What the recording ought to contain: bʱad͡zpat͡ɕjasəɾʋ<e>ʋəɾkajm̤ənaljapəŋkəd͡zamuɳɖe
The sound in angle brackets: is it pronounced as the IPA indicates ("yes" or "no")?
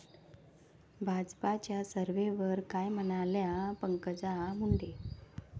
yes